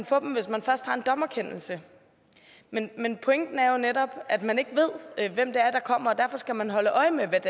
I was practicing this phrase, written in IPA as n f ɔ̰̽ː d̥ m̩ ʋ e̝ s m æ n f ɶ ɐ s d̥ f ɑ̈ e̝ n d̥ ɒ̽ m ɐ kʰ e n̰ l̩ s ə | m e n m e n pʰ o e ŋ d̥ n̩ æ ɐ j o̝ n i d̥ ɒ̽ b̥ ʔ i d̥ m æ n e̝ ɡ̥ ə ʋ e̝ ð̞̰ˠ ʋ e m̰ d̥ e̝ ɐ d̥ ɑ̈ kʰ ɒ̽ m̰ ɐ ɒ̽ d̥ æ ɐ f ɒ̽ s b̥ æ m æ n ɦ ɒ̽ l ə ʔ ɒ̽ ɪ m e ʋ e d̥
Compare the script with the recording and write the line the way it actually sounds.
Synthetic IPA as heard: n f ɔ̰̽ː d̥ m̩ ʋ e̝ s m æ n f ɶ ɐ s d̥ h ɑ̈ e̝ n d̥ ɒ̽ m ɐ kʰ e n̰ l̩ s ə | m e n m e n pʰ o e ŋ d̥ n̩ æ ɐ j o̝ n e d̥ ɒ̽ b̥ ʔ æ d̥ m æ n e̝ ɡ̥ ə ʋ e̝ ð̞̰ˠ ʋ e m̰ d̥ e̝ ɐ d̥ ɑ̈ kʰ ɒ̽ m̰ ɐ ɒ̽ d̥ æ ɐ f ɒ̽ s ɡ̥ æ m æ n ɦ ɒ̽ l ə ʔ ɒ̽ ɪ m e ʋ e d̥

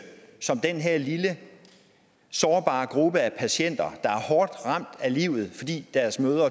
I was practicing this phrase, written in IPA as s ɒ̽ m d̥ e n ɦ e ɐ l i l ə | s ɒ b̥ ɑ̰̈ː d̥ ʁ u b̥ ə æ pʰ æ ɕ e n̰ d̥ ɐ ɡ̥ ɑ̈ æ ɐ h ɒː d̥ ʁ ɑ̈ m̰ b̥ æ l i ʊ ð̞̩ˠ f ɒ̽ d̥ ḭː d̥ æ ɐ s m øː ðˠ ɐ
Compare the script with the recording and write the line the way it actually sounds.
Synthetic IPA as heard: s ɒ̽ m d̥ e n ɦ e ɐ l i l ə | s ɒː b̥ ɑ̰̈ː ɡ̥ ʁ u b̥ ə æ pʰ æ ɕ e n̰ d̥ ɐ d̥ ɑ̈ æ ɐ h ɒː d̥ ʁ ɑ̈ m̰ d̥ æ l i ʊ ð̞̩ˠ f ɒ̽ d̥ ḭː d̥ æ ɐ s m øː ðˠ ɐ

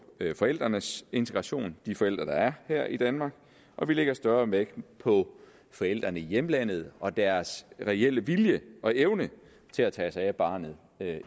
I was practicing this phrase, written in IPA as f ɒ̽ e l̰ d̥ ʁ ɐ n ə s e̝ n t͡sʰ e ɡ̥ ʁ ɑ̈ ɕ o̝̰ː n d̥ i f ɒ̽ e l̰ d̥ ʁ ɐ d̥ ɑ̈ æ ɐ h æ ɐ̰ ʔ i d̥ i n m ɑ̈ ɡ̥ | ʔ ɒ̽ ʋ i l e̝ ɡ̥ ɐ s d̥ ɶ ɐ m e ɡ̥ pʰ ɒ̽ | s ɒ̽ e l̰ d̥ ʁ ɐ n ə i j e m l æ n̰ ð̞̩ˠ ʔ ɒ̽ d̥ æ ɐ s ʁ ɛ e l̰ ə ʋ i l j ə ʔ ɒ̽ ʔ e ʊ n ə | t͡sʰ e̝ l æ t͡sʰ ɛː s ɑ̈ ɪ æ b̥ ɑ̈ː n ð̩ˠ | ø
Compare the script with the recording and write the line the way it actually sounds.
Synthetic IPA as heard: f ɒ̽ e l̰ d̥ ʁ ɐ n ə s e̝ n t͡sʰ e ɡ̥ ʁ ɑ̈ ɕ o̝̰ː n d̥ i f ɒ̽ e l̰ d̥ ʁ ɐ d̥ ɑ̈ æ ɐ h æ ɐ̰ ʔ i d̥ æ n m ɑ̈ ɡ̥ | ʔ ɒ̽ ʋ i l e̝ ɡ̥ ɐ s d̥ ɶ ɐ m e ɡ̥ pʰ ɒ̽ | f ɒ̽ e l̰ d̥ ʁ ɐ n ə i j e m l æ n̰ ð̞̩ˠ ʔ ɒ̽ d̥ æ ɐ s ʁ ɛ e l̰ ə ʋ i l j ə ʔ ɒ̽ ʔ e ʊ n ə | t͡sʰ e̝ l æ t͡sʰ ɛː s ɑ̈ ɪ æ b̥ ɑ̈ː n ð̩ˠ | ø

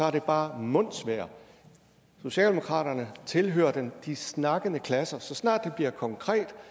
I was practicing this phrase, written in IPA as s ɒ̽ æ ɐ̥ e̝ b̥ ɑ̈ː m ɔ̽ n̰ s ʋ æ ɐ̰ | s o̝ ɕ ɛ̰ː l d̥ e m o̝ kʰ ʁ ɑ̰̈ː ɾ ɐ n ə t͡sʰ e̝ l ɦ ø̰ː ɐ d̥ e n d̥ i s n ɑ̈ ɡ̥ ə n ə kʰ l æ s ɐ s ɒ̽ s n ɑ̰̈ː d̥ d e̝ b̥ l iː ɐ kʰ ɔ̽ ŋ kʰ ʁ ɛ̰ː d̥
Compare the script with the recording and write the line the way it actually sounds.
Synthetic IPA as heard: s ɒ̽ æ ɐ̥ e̝ b̥ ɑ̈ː m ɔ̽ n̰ s ʋ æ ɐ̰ | s o̝ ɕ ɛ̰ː l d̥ e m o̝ kʰ ʁ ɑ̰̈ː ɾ ɐ n ə t͡sʰ e̝ l ɦ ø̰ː ɐ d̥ e n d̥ i s n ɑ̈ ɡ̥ ə n ə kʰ l æ s ɐ s ɒ̽ s n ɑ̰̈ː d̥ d e̝ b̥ l i ɐ kʰ ɒ̽ ŋ kʰ ʁ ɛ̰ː d̥

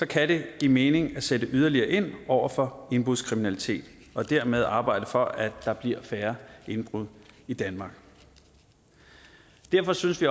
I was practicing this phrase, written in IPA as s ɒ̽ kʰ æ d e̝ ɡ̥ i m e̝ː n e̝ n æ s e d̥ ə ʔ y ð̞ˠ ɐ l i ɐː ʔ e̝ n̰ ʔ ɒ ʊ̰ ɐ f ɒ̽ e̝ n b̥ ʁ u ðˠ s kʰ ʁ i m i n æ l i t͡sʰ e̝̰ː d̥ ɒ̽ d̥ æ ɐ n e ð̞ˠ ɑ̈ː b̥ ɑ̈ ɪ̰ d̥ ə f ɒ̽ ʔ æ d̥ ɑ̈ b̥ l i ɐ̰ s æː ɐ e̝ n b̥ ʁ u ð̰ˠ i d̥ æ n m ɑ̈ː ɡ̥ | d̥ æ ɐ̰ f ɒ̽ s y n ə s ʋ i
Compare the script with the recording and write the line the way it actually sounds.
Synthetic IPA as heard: s ɒ̽ kʰ æ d e̝ ɡ̥ i m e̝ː n e̝ ŋ æ s e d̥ ə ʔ y ð̞ˠ ɐ l i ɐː ʔ e̝ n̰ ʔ ɒ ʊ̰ ɐ f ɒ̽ e̝ n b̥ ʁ u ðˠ s kʰ ʁ i m i n æ l i t͡sʰ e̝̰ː d̥ ɒ̽ d̥ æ ɐ m e ð̞ˠ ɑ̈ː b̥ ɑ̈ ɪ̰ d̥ ə f ɒ̽ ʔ æ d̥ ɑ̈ b̥ l i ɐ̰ f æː ɐ e̝ n b̥ ʁ u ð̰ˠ i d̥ æ n m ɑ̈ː ɡ̥ | d̥ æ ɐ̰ f ɒ̽ s y n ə s ʋ i

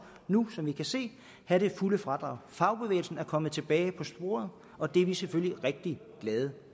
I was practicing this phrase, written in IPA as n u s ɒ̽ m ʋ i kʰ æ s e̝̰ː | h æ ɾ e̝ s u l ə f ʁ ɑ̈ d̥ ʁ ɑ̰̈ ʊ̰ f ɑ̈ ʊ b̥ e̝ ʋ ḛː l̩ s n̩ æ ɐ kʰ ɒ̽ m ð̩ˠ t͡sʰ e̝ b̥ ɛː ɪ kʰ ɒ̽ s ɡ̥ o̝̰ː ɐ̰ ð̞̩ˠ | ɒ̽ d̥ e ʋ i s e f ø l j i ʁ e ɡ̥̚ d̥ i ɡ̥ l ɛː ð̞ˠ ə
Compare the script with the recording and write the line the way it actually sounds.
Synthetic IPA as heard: n u s ɒ̽ m ʋ i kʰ æ s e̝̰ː | h æ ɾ e̝ f u l ə f ʁ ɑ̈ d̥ ʁ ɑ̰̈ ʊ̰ f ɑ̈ ʊ b̥ e̝ ʋ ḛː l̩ s n̩ æ ɐ kʰ ɒ̽ m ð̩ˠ t͡sʰ e̝ b̥ ɛː ɪ pʰ ɒ̽ s b̥ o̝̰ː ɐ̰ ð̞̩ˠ | ɒ̽ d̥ e ʋ i s e f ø l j i ʁ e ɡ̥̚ d̥ i ɡ̥ l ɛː ð̞ˠ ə

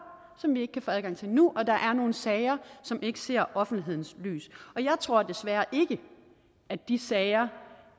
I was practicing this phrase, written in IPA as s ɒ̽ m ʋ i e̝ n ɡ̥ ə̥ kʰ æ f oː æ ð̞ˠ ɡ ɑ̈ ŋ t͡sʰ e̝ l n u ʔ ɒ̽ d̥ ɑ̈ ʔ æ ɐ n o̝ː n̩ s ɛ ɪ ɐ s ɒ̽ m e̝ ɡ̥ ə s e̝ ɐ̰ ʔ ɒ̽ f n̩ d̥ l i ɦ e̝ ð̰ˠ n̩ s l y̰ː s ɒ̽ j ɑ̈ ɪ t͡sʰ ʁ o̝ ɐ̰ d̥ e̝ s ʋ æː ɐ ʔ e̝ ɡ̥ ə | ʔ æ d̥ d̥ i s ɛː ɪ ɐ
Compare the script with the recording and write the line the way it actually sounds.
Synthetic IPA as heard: s ɒ̽ m ʋ i e̝ ɡ̥ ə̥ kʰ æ f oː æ ð̞ˠ ɡ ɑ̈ ŋ t͡sʰ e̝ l n u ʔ ɒ̽ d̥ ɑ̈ ʔ æ ɐ n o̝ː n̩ s ɛ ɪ ɐ s ɒ̽ m e̝ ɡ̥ ə s e̝ ɐ̰ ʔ ɒ̽ f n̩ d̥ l i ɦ e̝ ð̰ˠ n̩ s l y̰ː s ɒ̽ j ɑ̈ ɪ t͡sʰ ʁ o̝ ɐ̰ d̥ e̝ s ʋ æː ɐ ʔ e̝ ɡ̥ ə | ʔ æ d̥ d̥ i s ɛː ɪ ɐ

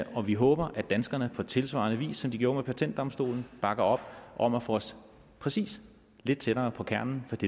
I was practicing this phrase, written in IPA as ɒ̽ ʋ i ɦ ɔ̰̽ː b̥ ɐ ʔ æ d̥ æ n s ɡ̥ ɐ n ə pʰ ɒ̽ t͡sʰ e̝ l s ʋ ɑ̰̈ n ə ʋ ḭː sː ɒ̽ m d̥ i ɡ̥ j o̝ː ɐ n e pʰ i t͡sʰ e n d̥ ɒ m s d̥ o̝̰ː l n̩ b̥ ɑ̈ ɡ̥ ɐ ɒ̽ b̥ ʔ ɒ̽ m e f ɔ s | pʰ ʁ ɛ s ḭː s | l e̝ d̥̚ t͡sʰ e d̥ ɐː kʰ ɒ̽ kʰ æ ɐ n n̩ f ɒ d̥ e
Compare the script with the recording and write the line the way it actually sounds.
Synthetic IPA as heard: ɒ̽ ʋ i ɦ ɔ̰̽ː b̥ ɐ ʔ æ d̥ æ n s ɡ̥ ɐ n ə pʰ ɒ̽ t͡sʰ e̝ l s ʋ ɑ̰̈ n ə ʋ ḭː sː ɒ̽ m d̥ i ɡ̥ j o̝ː ɐ m e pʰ æ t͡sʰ e n d̥ ɒ m s d̥ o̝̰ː l n̩ b̥ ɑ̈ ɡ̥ ɐ ɒ̽ b̥ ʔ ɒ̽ m æ f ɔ s | pʰ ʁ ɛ s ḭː s | l e̝ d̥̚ t͡sʰ e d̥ ɐː pʰ ɒ̽ kʰ æ ɐ n n̩ f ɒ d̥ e

